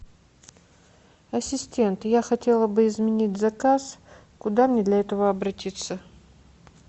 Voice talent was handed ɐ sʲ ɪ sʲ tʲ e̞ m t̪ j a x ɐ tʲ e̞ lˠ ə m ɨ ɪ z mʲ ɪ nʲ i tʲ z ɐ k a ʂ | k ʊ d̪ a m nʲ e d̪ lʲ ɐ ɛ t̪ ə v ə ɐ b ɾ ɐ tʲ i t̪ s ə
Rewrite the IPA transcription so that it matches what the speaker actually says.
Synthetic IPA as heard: ɐ sʲ ɪ sʲ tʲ e̞ n t̪ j a x ɐ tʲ e̞ lˠ ə b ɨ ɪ z mʲ ɪ nʲ i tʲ z ɐ k a s | k ʊ d̪ a m nʲ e d̪ lʲ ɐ ɛ t̪ ə v ə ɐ b ɾ ɐ tʲ i t̪ s ə